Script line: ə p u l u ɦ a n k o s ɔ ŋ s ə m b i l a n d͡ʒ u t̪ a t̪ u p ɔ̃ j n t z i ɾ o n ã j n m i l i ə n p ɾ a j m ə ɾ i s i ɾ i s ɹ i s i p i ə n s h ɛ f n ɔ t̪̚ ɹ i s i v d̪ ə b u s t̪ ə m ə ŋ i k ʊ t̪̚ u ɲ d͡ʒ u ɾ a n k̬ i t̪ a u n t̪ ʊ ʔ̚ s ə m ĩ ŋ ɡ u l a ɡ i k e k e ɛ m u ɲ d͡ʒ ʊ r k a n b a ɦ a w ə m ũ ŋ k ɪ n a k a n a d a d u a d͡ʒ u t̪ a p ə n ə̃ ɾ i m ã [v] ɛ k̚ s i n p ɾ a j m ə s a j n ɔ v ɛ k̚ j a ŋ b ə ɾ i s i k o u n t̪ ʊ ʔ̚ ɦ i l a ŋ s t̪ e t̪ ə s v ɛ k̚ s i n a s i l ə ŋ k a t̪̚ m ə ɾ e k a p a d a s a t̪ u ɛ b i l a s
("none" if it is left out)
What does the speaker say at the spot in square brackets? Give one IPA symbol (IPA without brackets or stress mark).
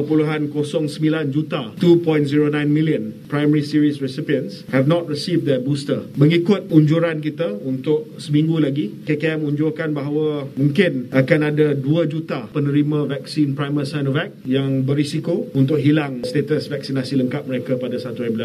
v